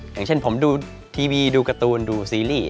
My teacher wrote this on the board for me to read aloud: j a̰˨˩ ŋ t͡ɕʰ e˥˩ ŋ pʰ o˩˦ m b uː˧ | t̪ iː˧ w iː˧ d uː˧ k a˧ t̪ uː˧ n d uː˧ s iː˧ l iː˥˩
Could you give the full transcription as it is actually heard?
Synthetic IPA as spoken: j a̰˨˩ ŋ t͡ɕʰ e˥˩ n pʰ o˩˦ m d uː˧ | t̪ʰ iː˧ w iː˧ d uː˧ k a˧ t̪ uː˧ n d uː˧ s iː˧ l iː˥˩